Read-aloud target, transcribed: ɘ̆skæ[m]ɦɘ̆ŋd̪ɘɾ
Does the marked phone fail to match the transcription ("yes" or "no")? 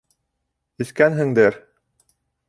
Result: yes